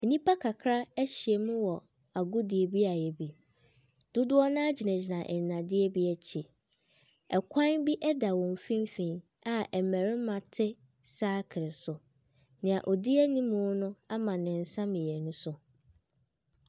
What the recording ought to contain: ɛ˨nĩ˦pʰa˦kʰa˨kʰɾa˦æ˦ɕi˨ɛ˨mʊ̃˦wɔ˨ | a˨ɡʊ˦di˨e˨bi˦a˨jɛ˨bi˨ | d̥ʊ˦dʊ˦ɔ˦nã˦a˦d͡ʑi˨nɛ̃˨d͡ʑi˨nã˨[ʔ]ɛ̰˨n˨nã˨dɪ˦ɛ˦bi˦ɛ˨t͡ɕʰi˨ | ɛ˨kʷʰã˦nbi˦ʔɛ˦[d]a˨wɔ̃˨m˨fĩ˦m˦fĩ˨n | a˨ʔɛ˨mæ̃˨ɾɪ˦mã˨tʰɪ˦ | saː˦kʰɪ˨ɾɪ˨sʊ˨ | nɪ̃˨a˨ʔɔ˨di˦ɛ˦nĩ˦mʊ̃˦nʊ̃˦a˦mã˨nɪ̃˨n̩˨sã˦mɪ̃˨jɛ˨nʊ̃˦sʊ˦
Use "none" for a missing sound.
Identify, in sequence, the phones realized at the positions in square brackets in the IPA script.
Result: ʔ, d

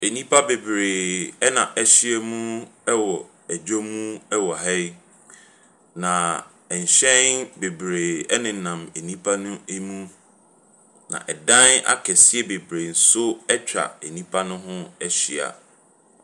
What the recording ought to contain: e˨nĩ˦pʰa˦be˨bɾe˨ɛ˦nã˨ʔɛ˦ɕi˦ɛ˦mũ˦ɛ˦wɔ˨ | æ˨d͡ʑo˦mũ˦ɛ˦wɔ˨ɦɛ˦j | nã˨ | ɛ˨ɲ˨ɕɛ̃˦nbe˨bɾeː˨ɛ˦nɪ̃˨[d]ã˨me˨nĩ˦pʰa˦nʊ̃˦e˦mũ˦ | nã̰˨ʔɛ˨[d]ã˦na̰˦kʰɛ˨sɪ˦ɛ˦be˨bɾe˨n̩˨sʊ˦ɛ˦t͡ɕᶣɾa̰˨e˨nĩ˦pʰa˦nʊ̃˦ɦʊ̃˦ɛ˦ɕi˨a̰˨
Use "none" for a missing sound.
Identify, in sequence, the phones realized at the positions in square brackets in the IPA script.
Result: n, d

